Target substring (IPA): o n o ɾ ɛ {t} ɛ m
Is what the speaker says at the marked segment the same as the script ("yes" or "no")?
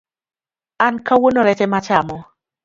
yes